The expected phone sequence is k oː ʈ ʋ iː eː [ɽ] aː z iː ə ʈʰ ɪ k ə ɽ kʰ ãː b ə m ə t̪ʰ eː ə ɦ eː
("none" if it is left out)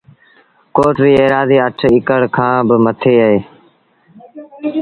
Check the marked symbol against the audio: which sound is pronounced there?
ɾ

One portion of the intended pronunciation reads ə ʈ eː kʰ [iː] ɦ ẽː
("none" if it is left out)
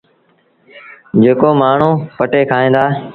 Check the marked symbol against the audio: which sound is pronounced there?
aː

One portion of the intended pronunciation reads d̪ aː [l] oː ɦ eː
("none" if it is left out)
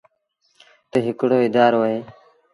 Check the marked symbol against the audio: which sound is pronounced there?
ɾ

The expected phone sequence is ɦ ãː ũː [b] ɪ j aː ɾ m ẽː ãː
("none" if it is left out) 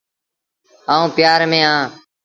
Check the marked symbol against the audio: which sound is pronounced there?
p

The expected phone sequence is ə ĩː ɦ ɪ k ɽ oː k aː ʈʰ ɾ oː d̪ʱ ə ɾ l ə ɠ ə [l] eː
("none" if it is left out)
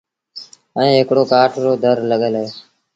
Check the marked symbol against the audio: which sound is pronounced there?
l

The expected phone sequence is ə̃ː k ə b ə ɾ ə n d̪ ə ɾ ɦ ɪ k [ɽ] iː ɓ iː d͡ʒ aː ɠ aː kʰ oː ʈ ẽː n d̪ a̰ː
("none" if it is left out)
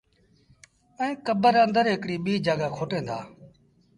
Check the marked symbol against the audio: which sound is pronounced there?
ɽ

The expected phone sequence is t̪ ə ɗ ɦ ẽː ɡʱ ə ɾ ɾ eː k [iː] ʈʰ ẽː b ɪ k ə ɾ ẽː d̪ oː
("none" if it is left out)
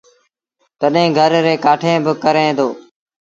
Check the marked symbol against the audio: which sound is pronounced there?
aː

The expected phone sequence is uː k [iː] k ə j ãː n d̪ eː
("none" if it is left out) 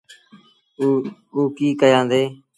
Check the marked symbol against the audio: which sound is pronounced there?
iː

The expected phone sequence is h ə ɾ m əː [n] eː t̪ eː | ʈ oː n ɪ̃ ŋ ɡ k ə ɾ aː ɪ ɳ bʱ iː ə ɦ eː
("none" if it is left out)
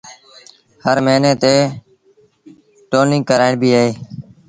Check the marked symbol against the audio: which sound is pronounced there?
n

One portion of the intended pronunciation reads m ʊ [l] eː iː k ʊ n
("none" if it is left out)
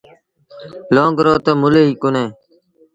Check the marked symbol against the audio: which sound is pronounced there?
l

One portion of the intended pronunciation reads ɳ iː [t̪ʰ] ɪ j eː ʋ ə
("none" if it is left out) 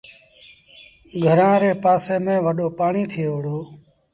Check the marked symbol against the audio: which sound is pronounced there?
t̪ʰ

